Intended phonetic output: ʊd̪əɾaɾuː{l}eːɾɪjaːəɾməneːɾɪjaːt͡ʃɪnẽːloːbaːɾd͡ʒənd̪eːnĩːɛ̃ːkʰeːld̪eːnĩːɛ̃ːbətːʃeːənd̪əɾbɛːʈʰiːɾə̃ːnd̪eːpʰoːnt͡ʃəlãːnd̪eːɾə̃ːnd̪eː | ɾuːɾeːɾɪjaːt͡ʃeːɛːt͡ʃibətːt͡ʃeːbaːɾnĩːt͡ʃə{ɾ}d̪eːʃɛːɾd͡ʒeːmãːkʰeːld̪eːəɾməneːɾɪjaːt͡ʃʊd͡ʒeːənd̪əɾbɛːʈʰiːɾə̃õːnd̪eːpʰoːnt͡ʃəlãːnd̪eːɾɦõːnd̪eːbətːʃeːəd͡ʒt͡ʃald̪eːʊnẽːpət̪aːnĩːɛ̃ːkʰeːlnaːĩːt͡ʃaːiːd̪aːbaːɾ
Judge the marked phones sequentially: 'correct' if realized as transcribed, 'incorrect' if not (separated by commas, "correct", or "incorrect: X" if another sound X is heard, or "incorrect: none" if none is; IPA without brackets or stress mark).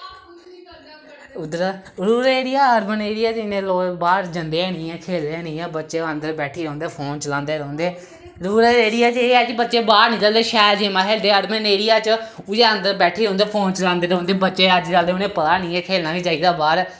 incorrect: ɾ, incorrect: l